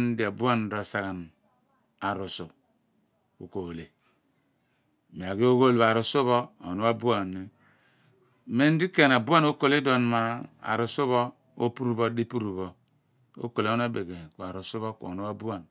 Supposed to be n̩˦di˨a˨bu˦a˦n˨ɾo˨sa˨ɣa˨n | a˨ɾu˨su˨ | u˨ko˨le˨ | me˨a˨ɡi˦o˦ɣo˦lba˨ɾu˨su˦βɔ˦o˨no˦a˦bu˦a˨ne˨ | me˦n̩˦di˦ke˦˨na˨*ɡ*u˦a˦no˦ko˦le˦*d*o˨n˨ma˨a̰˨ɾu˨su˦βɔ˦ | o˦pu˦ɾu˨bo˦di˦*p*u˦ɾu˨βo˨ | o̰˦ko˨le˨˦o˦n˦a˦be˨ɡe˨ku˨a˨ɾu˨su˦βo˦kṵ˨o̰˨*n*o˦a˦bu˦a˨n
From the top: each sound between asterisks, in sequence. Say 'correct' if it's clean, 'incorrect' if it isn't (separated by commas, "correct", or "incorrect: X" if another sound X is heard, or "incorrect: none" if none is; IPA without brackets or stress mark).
incorrect: b, correct, correct, correct